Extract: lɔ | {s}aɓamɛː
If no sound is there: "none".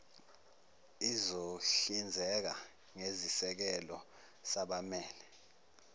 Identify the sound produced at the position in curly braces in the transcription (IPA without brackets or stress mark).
s